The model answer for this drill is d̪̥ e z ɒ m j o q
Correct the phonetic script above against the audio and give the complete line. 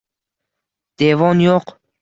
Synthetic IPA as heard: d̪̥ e v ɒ n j o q

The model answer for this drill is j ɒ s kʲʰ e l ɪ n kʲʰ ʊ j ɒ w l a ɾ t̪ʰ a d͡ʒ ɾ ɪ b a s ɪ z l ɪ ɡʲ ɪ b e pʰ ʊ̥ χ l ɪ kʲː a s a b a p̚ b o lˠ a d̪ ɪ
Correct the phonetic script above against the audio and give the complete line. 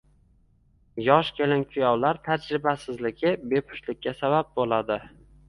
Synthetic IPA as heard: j ɒ ʃ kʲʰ e l ɪ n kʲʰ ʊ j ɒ w l a ɾ t̪ʰ a d͡ʒ ɾ ɪ b a s ɪ z l ɪ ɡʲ ɪ b e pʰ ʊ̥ ʃ l ɪ kʲː a s a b a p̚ b o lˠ a d̪ ɪ

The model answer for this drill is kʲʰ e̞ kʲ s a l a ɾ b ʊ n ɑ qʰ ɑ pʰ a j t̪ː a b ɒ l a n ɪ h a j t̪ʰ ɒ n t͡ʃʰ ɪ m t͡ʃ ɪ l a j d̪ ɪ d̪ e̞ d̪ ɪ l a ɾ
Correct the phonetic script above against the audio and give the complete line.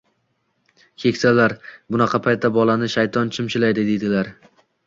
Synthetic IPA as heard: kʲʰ e̞ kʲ s a l a ɾ b ʊ n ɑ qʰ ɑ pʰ a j t̪ː a b ɒ l a n ɪ ʃ a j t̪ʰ ɒ n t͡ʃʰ ɪ m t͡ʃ ɪ l a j d̪ ɪ d̪ e̞ d̪ ɪ l a ɾ

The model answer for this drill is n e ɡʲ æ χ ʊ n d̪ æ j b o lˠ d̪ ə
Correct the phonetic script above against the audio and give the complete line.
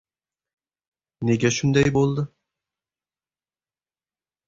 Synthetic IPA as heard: n e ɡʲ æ ʃ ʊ n d̪ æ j b o lˠ d̪ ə

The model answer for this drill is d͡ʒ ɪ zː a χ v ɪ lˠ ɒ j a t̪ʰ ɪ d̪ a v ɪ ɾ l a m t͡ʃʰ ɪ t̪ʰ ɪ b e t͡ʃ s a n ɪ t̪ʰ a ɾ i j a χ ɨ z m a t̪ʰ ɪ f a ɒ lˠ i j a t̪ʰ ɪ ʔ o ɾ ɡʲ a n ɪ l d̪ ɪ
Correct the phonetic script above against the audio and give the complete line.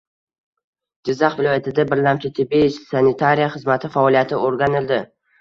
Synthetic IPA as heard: d͡ʒ ɪ zː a χ v ɪ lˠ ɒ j a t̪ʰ ɪ d̪ a b ɪ ɾ l a m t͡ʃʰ ɪ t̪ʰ ɪ b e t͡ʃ s a n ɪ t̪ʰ a ɾ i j a χ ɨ z m a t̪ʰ ɪ f a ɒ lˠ i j a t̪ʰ ɪ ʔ o ɾ ɡʲ a n ɪ l d̪ ɪ

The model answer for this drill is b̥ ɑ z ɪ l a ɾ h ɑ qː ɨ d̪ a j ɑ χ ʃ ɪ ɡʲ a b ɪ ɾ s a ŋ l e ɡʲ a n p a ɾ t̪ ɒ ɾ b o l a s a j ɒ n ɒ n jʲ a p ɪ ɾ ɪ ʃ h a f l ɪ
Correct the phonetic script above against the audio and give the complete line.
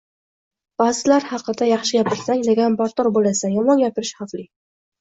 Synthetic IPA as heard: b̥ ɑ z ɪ l a ɾ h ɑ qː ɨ d̪ a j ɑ χ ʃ ɪ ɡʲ a p ɪ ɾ s a ŋ l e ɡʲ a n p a ɾ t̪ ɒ ɾ b o l a s a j ɒ m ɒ n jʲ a p ɪ ɾ ɪ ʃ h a f l ɪ

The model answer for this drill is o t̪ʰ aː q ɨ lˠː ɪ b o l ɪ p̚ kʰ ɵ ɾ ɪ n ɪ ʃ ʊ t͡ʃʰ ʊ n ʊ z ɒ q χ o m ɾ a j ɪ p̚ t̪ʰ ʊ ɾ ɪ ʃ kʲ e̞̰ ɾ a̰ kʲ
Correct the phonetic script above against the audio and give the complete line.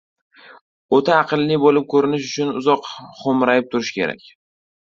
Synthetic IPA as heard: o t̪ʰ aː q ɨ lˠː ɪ b o l ɪ p̚ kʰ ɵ ɾ ɪ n ɪ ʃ ʊ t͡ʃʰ ʊ n ʊ z ɒ q χ o m ɾ a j ɪ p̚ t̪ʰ ʊ ɾ ɪ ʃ kʲ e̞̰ ɾ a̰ kʲ

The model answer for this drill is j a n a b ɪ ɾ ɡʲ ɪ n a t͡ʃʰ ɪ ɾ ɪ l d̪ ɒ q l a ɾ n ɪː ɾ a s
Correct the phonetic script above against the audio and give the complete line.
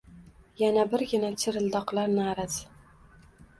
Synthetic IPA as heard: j a n a b ɪ ɾ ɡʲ ɪ n a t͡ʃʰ ɪ ɾ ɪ l d̪ ɒ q l a ɾ n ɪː ɾ a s

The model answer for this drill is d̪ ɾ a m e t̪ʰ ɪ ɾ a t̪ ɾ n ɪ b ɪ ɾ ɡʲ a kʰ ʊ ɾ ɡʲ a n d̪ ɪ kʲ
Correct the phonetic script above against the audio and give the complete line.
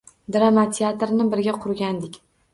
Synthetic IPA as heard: d̪ ɾ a m a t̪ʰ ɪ a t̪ ɾ n ɪ b ɪ ɾ ɡʲ a qʰ ʊ ɾ ɡʲ a n d̪ ɪ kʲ

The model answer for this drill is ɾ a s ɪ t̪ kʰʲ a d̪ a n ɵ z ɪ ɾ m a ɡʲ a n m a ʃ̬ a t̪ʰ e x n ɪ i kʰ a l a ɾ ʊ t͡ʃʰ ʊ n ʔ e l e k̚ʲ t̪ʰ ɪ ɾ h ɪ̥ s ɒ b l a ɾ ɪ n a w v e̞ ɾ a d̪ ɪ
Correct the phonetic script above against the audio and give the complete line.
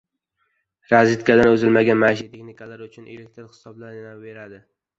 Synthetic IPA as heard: ɾ a z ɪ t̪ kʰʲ a d̪ a n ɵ z ɪ l m a ɡʲ a n m a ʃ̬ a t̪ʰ e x n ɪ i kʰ a l a ɾ ʊ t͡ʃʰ ʊ n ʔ e l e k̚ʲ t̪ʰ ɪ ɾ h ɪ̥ s ɒ b l a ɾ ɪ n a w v e̞ ɾ a d̪ ɪ

